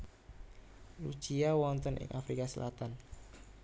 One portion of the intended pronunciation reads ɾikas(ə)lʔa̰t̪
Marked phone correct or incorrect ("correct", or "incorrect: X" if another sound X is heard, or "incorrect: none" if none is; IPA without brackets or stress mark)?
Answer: correct